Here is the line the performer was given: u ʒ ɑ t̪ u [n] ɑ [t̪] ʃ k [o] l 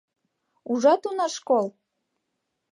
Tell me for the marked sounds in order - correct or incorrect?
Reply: correct, incorrect: none, correct

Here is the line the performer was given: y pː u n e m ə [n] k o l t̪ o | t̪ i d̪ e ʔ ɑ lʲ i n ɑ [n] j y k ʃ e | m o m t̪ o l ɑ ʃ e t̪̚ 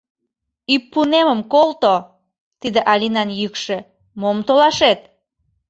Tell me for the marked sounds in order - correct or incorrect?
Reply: incorrect: m, correct

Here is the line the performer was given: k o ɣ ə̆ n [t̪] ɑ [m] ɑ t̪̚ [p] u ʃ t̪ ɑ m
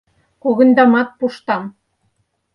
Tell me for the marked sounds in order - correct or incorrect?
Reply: incorrect: d̪, correct, correct

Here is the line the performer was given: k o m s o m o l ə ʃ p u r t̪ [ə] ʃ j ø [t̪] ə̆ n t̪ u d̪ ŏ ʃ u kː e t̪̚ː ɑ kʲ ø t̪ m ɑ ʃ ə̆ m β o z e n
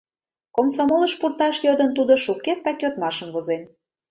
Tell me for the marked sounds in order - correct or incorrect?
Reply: incorrect: ɑ, incorrect: d̪

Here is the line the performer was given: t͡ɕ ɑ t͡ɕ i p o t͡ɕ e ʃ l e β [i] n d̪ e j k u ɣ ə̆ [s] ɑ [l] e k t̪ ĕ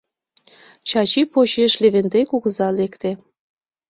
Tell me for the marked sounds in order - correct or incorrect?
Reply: incorrect: e, incorrect: z, correct

